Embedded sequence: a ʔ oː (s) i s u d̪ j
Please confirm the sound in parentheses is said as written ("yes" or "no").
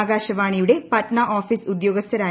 no